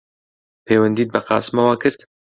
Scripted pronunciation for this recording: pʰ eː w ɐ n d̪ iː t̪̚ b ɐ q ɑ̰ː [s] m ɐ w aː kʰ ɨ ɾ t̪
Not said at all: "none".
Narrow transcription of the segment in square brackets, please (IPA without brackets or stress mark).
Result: s